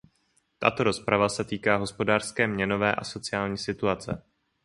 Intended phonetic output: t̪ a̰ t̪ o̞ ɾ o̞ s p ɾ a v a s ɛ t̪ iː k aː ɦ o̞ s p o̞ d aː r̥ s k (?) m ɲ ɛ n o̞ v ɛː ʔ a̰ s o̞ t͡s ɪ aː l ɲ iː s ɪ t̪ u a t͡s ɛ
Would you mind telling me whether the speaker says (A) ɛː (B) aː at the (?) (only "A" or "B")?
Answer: A